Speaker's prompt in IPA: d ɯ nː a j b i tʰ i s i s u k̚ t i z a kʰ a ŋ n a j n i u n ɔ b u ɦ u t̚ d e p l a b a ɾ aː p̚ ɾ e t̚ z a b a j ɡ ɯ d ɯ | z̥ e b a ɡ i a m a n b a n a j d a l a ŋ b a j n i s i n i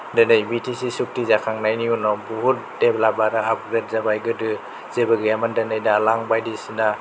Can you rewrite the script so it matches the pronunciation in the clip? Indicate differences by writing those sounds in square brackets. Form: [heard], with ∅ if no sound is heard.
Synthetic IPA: d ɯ [n] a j b i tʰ i s i s u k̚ t i z a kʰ a ŋ n a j n i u n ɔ b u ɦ u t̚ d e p l a b a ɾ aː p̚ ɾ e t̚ z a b a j ɡ ɯ d ɯ | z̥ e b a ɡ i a m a n [d] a n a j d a l a ŋ b a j [d] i s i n [a]